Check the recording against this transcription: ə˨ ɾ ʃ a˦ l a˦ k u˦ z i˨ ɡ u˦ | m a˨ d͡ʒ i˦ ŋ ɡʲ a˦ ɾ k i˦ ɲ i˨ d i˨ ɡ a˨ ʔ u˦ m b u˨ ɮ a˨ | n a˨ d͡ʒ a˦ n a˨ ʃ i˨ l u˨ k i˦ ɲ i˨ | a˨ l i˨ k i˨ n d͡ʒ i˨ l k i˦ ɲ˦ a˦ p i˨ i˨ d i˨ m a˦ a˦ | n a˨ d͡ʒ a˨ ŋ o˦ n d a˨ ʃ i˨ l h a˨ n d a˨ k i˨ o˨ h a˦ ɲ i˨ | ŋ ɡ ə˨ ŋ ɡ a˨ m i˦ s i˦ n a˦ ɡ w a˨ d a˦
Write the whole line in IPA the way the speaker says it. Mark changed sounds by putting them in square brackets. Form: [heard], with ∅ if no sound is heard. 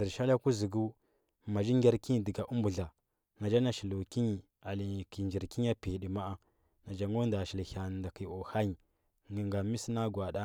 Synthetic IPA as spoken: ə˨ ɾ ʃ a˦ l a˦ k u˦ z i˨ ɡ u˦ | m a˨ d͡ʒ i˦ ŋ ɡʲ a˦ ɾ k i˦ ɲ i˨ d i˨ ɡ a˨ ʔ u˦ m b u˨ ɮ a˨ | n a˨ d͡ʒ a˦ n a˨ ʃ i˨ l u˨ k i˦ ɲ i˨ | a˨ l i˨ k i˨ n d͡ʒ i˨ [ɾ] k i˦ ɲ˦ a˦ p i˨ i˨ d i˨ m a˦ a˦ | n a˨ d͡ʒ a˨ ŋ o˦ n d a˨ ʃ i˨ l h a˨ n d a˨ k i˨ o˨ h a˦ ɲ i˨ | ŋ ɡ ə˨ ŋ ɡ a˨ m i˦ s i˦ n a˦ ɡ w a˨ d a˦